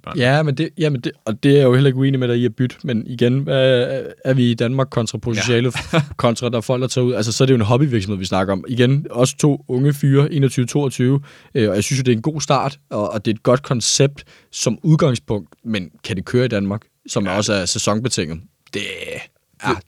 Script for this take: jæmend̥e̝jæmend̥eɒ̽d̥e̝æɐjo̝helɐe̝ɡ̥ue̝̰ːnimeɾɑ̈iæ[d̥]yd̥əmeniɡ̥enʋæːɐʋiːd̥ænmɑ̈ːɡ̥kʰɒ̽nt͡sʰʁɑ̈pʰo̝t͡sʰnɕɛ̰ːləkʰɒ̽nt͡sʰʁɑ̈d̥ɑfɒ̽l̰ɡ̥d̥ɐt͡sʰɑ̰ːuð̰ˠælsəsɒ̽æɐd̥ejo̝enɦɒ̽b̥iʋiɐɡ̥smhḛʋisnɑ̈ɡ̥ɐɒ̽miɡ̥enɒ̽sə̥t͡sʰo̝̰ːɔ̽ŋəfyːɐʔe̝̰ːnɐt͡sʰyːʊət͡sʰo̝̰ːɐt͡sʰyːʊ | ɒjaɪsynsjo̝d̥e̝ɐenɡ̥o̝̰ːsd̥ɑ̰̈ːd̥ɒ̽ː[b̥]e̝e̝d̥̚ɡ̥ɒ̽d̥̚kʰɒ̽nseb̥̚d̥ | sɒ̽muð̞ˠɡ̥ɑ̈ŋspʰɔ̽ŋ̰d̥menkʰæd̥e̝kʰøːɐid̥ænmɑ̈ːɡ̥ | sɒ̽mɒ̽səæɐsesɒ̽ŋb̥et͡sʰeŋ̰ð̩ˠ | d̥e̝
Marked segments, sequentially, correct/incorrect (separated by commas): incorrect, incorrect